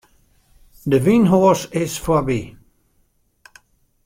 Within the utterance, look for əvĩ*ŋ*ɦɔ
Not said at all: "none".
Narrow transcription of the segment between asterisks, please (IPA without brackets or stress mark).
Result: n